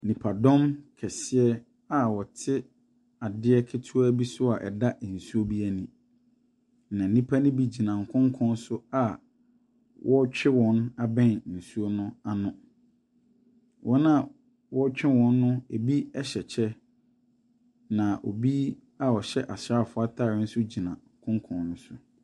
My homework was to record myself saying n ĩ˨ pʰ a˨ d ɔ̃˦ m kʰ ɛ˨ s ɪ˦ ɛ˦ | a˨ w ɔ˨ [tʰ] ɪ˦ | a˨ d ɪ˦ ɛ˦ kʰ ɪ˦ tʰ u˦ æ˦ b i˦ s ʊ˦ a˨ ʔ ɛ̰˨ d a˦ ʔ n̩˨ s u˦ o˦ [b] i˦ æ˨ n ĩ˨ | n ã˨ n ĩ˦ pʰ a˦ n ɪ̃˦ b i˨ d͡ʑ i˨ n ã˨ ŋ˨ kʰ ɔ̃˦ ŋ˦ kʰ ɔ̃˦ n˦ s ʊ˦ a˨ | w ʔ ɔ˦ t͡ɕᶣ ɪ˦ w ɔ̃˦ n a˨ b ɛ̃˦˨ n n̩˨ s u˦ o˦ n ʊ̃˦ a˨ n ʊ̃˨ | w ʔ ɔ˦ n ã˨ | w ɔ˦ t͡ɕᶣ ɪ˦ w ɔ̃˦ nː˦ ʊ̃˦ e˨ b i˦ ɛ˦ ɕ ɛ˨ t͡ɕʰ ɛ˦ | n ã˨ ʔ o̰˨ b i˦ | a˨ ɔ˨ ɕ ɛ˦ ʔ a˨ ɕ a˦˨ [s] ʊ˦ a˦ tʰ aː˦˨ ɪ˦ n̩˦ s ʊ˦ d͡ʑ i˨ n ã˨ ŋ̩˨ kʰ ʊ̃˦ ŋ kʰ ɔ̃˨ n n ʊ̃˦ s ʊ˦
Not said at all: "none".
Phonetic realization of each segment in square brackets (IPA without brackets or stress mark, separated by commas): tʰ, b, f